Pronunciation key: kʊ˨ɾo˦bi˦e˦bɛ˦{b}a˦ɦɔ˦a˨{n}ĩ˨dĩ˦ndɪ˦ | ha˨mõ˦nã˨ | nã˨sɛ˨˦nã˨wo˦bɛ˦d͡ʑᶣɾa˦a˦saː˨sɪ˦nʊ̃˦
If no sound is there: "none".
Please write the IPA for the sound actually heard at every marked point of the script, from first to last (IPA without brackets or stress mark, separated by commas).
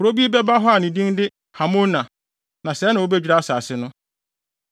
b, n